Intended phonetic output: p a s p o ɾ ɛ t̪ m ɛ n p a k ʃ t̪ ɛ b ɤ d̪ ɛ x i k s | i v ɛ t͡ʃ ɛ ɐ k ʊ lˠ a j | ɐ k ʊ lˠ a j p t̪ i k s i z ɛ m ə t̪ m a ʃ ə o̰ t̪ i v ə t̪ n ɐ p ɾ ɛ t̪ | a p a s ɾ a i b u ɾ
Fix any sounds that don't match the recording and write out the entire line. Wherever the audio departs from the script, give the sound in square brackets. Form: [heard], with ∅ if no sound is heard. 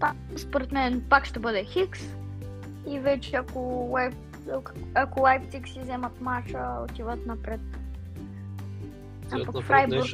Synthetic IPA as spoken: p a s p o ɾ ɛ t̪ m ɛ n p a k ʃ t̪ ɛ b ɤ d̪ ɛ x i k s | i v ɛ t͡ʃ ɛ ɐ k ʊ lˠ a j | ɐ k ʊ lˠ a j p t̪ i k s i z ɛ m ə t̪ m a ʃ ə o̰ t̪ i v ə t̪ n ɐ p ɾ ɛ t̪ | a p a [f] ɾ a [j] b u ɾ